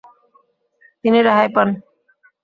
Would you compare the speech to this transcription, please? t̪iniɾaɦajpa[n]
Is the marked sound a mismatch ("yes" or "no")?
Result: no